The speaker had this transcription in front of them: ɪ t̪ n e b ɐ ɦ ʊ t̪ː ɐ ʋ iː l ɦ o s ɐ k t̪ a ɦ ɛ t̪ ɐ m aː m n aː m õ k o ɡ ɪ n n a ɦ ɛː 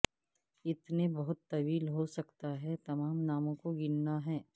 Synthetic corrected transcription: ɪ t̪ n e b ɐ ɦ ʊ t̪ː ɐ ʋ iː l ɦ o s ɐ k t̪ a ɦ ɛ t̪ ɐ m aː m n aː m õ k o ɡ ɪ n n a ɦ ɛː